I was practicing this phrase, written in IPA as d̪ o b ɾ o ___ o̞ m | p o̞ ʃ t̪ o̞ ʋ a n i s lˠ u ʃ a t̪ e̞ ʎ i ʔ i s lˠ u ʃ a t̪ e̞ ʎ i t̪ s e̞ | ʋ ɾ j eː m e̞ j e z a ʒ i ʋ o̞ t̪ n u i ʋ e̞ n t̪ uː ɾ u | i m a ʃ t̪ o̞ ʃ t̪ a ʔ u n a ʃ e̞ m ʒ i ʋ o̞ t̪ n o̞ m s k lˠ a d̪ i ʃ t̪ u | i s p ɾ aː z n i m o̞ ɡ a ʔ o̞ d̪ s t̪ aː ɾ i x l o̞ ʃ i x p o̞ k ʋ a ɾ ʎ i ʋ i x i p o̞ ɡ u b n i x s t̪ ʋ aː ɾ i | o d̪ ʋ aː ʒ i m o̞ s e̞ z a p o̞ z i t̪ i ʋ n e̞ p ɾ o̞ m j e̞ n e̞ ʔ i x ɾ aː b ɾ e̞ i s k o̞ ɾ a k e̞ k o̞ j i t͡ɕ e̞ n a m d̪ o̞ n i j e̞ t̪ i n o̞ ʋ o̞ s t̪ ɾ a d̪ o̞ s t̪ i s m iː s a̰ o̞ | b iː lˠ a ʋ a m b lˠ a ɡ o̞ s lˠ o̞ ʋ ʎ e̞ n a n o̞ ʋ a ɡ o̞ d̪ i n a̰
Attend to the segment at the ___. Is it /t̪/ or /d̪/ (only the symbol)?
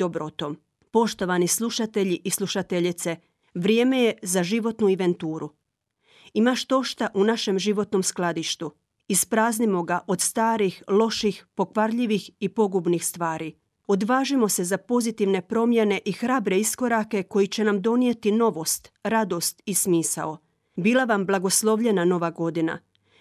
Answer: t̪